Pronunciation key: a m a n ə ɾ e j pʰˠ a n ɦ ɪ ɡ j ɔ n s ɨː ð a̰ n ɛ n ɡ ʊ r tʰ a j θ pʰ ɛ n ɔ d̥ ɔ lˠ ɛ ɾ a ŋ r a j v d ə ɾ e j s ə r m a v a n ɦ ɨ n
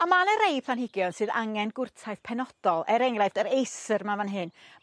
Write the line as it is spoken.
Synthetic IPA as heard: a m a n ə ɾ e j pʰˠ a n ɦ ɪ ɡ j ɔ n s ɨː ð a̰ ŋ ɛ n ɡ ʊ r tʰ a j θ pʰ ɛ n ɔ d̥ ɔ lˠ ɛ ɾ ɛ ŋ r a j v d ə ɾ e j s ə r m a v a n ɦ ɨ n